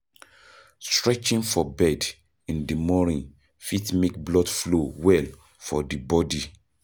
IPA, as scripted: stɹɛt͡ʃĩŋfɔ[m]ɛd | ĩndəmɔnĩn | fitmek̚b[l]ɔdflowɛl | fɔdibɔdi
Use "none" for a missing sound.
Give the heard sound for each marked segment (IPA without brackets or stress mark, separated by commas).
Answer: b, l